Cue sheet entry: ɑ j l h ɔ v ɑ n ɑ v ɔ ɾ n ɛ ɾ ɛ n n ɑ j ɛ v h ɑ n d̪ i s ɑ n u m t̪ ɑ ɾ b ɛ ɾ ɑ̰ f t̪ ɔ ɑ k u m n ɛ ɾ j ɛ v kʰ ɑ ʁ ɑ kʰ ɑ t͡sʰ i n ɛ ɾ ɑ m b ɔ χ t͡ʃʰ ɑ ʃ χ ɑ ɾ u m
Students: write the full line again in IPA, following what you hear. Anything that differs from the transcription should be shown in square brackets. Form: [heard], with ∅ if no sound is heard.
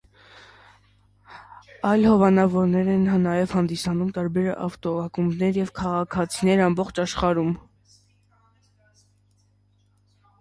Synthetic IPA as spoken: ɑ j l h ɔ v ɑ n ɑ v ɔ ɾ n ɛ ɾ ɛ n n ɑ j ɛ v h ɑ n d̪ i s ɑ n u m t̪ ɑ ɾ b ɛ ɾ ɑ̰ f t̪ ɔ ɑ k u m n ɛ ɾ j ɛ v kʰ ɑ ʁ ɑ kʰ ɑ t͡sʰ i n ɛ ɾ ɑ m b ɔ χ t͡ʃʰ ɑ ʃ χ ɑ ɾ u m